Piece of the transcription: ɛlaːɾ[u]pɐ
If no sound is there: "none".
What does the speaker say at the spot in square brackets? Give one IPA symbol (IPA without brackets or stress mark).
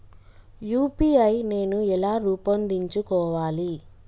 uː